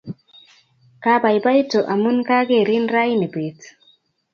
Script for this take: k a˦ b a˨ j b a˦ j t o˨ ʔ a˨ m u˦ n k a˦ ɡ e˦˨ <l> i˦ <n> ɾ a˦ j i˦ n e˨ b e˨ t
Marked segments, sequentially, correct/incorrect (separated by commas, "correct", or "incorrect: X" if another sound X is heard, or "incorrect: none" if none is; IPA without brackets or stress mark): incorrect: ɾ, correct